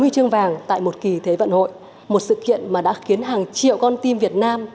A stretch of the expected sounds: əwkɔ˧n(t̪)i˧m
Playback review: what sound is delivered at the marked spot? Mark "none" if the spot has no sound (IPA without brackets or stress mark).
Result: t̪